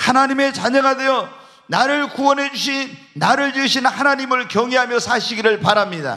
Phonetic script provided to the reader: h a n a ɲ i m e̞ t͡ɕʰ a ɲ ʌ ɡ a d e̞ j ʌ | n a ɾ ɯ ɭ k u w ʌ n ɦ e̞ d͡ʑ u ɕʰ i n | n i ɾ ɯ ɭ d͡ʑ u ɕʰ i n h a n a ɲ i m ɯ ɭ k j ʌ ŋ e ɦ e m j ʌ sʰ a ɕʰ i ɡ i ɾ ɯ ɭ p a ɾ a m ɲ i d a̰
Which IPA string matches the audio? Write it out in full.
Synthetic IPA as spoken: h a n a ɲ i m e̞ t͡ɕ a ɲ ʌ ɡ a d e̞ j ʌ | n a ɾ ɯ ɭ k u w ʌ n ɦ e̞ d͡ʑ u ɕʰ i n | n a ɾ ɯ ɭ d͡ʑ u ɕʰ i n h a n a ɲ i m ɯ ɭ k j ʌ ŋ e ɦ a m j ʌ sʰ a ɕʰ i ɡ i ɾ ɯ ɭ p a ɾ a m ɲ i d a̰

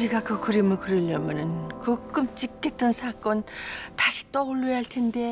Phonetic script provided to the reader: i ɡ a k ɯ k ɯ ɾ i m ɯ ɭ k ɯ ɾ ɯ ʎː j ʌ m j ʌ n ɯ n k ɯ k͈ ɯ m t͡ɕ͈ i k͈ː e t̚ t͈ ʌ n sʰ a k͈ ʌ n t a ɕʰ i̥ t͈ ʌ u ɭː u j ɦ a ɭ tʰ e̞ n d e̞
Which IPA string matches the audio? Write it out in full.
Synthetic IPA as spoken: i ɡ a k ɯ k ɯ ɾ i m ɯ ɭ k ɯ ɾ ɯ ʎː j ʌ m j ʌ n ɯ n k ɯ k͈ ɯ m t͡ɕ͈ i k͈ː e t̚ t͈ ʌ n sʰ a k͈ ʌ n t a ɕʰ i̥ t͈ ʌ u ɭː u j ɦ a ɭ tʰ e̞ n d e̞

